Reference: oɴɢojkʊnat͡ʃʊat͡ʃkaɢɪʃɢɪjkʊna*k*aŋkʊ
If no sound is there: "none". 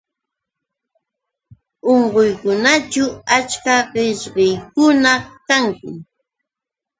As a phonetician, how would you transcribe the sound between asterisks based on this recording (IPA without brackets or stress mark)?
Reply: k